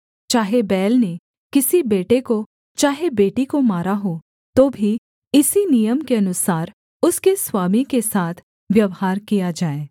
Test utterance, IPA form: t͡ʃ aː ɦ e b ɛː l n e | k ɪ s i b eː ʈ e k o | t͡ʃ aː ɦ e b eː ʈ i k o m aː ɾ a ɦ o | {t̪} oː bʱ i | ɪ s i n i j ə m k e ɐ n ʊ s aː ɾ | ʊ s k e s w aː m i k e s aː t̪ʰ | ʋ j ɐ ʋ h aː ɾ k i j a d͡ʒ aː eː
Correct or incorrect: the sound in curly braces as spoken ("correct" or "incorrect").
correct